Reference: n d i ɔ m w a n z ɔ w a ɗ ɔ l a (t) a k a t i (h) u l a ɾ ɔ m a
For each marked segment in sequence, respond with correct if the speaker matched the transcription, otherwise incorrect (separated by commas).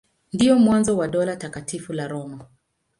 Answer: correct, incorrect